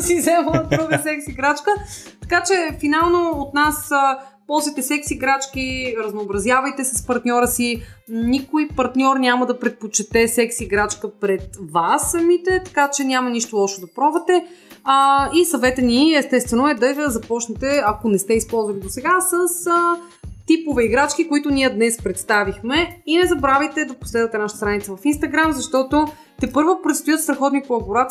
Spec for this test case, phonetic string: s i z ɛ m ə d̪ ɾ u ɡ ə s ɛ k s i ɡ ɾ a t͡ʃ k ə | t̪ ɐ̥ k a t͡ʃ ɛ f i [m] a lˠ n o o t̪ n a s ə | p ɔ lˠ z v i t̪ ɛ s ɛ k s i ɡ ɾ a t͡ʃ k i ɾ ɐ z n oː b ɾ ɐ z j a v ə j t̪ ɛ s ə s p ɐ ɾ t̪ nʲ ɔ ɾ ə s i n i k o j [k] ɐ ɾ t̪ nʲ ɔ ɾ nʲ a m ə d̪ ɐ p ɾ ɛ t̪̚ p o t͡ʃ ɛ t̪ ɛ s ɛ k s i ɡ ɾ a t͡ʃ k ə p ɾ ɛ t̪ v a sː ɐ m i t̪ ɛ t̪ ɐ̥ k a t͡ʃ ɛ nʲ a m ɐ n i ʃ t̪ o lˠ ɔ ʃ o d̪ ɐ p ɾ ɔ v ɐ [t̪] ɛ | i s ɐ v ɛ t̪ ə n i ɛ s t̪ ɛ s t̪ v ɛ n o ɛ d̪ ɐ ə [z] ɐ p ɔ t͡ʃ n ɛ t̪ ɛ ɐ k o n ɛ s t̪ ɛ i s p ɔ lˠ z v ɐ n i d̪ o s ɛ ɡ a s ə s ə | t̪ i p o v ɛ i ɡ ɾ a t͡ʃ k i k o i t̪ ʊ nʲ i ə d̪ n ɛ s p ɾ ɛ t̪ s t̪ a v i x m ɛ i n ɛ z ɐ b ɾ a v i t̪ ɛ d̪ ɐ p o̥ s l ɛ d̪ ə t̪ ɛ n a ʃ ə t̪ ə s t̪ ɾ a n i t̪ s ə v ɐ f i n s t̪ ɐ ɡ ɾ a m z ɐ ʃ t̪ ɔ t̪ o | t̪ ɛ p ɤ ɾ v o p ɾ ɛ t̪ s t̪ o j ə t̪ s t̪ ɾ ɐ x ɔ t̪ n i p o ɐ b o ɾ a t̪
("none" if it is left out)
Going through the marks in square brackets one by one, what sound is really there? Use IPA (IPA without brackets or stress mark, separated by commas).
n, p, t̪, z